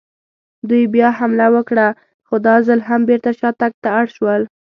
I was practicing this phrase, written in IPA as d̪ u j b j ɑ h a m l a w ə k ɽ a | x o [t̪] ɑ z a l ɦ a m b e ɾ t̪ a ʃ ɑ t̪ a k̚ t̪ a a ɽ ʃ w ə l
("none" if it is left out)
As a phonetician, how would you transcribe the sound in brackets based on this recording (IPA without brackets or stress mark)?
d̪